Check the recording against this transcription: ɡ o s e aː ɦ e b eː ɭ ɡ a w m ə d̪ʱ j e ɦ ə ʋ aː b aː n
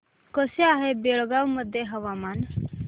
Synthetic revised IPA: k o s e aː ɦ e b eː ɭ ɡ a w m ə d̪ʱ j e ɦ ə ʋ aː m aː n